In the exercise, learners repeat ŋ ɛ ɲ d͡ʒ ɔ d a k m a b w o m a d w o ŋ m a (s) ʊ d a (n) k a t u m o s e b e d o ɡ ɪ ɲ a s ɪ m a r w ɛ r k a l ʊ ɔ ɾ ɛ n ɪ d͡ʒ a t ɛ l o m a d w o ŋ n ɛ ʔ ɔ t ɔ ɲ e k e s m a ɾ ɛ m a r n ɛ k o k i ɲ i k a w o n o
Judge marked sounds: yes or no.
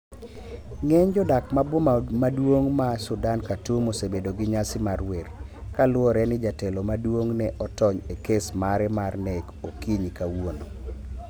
yes, yes

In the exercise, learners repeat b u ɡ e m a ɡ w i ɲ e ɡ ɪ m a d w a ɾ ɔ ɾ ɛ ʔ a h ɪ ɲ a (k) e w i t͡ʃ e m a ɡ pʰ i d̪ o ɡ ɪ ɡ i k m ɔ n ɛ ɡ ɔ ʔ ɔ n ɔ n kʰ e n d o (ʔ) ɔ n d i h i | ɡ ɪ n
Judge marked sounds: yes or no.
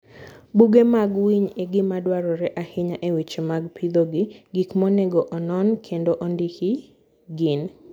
no, yes

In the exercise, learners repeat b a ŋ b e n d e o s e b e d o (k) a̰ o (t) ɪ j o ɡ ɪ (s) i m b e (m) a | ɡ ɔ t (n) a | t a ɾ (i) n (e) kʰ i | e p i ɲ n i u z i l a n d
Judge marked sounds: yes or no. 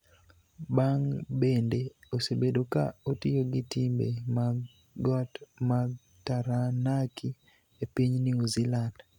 yes, yes, no, yes, no, no, no

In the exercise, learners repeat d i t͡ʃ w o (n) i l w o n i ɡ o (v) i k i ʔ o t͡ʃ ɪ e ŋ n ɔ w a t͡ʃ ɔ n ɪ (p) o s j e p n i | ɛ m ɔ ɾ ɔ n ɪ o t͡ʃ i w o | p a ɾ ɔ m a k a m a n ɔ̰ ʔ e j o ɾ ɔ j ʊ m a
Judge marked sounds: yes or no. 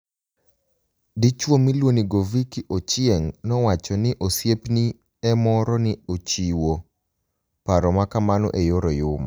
no, yes, no

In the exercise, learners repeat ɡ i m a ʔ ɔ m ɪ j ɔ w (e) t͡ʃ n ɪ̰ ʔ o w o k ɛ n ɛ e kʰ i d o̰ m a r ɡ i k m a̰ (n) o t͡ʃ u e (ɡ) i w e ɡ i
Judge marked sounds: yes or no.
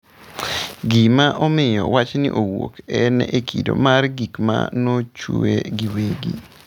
no, yes, yes

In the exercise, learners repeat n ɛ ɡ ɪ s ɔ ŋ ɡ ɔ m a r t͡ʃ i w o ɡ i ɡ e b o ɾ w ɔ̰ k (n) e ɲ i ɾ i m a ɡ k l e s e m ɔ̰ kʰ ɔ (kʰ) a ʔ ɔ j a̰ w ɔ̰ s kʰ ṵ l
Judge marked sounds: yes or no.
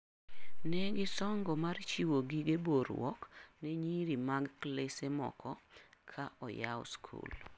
yes, yes

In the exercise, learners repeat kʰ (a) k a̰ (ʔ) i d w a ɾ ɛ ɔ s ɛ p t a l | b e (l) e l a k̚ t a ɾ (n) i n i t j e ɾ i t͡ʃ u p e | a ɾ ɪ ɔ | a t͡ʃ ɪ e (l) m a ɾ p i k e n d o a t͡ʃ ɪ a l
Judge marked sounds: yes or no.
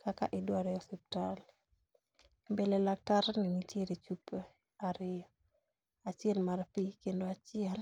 yes, yes, yes, yes, yes

